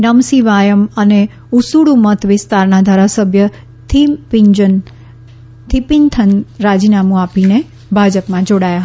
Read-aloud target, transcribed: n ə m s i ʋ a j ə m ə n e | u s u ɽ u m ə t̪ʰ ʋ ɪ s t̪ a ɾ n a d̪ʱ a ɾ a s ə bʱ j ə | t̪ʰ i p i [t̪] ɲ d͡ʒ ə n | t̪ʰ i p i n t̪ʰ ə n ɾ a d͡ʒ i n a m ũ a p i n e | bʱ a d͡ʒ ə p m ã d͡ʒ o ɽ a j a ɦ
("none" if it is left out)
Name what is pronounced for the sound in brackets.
none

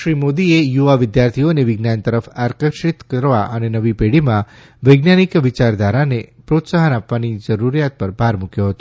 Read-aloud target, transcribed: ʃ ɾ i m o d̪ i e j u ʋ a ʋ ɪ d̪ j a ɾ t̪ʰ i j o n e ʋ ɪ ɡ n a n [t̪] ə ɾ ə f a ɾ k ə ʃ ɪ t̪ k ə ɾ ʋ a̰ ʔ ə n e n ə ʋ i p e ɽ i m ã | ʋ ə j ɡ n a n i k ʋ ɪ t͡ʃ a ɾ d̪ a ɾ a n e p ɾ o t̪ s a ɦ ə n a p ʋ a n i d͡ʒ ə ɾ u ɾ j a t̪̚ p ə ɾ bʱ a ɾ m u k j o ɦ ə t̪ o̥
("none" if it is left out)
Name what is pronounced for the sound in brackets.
t̪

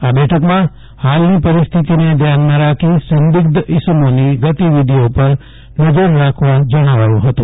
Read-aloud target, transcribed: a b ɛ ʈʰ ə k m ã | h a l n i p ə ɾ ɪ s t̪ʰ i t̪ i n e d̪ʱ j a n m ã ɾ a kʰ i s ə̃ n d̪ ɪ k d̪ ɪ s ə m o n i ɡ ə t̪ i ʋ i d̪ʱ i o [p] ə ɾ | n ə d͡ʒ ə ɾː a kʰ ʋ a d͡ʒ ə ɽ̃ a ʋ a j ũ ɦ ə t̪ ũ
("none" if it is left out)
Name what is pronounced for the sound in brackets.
p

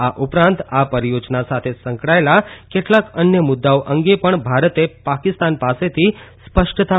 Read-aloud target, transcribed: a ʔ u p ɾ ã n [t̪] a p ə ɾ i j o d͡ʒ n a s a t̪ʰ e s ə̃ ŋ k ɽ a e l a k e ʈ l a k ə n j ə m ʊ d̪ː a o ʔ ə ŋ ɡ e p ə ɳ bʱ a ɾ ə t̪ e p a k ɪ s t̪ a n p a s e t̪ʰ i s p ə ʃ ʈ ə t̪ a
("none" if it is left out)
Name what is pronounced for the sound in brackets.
t̪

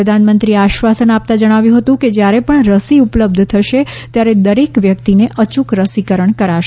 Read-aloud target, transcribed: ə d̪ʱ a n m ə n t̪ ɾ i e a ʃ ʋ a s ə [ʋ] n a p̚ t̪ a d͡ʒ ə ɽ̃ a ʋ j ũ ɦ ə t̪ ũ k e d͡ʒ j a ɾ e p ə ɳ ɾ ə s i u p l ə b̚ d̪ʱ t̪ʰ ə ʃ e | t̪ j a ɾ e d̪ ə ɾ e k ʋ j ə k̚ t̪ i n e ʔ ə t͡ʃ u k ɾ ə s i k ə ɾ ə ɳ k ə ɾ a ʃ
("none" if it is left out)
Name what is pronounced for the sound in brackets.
none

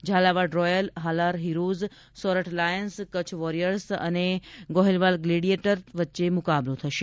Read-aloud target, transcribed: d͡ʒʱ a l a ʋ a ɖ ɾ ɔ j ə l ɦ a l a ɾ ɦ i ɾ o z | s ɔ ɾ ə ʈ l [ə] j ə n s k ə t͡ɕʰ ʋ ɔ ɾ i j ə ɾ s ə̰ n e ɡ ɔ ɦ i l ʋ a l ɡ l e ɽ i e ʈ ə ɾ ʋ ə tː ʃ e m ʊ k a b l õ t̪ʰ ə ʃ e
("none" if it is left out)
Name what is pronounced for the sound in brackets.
a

